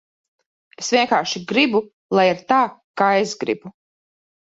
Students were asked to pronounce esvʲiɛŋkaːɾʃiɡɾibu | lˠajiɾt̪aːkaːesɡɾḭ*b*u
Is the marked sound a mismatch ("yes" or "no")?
no